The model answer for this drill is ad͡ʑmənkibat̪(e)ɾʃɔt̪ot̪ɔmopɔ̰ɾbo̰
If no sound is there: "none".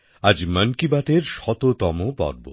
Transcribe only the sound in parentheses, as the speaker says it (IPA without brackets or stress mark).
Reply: e